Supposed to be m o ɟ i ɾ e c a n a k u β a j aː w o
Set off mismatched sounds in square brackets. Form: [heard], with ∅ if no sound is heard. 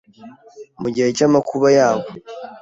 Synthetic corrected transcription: m [u] ɟ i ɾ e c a [m] a k u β a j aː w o